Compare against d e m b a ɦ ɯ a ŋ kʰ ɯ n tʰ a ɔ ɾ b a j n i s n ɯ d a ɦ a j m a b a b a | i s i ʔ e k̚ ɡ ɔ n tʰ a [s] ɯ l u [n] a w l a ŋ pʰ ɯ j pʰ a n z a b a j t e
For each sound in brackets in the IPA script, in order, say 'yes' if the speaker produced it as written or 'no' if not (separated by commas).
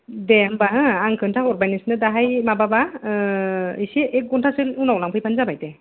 yes, yes